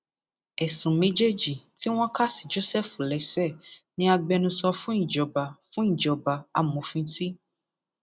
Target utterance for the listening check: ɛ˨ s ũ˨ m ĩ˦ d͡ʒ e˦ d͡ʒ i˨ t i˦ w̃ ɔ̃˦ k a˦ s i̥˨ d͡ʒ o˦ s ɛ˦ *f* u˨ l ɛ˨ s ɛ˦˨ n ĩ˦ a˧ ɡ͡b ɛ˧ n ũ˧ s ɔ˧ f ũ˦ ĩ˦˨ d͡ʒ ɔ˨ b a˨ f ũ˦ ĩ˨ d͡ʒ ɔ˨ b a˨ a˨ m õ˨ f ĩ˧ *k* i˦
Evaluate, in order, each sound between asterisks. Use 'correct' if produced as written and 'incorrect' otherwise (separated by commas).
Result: correct, incorrect